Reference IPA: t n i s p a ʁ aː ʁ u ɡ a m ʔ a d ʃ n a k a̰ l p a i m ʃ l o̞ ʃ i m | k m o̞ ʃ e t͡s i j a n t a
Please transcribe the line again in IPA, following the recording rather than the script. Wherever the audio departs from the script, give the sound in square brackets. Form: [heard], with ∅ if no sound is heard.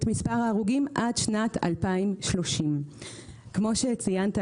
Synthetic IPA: t [m] i s p a ʁ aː ʁ u ɡ [i] m ʔ a d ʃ n a [t] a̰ l p a i m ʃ l o̞ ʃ i m | k m o̞ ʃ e t͡s i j a n t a

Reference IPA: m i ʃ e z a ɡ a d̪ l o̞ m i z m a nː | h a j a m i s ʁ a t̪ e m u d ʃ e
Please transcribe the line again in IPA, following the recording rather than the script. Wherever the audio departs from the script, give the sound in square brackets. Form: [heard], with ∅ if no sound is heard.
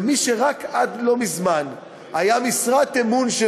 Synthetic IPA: m i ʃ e [ʁ] a [k] a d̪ l o̞ m i z m a [n] | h a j a m i s ʁ a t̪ e m u [n] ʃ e

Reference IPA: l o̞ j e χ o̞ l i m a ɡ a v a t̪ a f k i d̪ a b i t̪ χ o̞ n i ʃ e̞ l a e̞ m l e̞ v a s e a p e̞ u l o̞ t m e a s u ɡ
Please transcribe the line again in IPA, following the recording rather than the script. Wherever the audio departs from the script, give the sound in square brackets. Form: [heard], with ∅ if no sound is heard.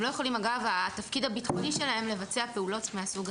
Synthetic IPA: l o̞ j e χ o̞ l i m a ɡ a v a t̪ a f k i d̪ a b i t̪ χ o̞ n i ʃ e̞ l a e̞ m l e̞ v a [t͡s] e a p e̞ u l o̞ t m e a s u ɡ

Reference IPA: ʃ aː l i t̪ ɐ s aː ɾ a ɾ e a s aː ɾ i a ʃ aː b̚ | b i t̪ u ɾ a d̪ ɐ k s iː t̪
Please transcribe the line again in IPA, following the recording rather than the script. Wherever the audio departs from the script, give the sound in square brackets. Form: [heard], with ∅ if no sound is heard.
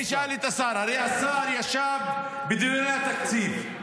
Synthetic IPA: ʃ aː l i t̪ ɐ s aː ɾ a ɾ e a s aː ɾ [j] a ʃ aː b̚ | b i [d̪] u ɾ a [t̪] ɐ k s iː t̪

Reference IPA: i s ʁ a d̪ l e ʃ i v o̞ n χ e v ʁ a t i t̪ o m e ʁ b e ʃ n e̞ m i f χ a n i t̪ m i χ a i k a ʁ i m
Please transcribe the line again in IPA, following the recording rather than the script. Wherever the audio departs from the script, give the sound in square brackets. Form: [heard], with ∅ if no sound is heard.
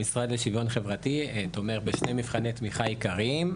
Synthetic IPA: i s ʁ a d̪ l e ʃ i v o̞ n χ e v ʁ a t i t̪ o m e ʁ b e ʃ n e̞ m i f χ a n [e] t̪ m i χ a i k a ʁ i m

